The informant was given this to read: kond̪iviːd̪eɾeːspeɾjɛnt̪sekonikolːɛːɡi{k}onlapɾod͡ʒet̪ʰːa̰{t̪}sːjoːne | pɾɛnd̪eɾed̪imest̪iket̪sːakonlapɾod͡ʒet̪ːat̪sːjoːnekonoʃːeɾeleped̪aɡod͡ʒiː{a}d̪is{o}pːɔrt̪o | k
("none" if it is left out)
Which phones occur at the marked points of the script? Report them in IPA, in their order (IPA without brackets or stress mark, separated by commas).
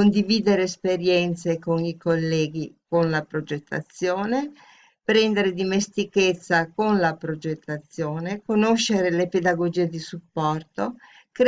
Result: k, t̪, e, u